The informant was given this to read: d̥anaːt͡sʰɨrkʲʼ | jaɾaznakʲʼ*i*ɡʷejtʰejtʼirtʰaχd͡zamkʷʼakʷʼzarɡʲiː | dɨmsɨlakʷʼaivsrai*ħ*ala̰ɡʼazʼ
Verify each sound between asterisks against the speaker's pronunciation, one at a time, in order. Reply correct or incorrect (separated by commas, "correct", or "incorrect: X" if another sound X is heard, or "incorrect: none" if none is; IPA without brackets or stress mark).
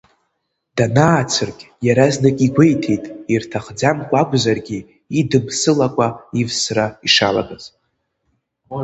correct, incorrect: ʂ